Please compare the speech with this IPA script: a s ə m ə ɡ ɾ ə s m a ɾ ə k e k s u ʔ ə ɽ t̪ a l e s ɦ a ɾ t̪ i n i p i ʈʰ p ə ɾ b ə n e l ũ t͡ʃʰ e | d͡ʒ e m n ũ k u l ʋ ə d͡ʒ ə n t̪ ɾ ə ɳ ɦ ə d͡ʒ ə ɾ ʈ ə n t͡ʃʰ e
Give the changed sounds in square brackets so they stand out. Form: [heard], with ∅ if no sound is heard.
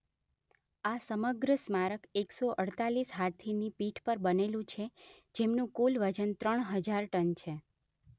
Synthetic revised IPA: a s ə m ə ɡ ɾ ə s m a ɾ ə k e k s [o] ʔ ə ɽ t̪ a l [i] s ɦ a ɾ [t̪ʰ] i n i p i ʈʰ p ə ɾ b ə n e l ũ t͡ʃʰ e | d͡ʒ e m n ũ k u l ʋ ə d͡ʒ ə n t̪ ɾ ə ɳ ɦ ə d͡ʒ [a] ɾ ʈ ə n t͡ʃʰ e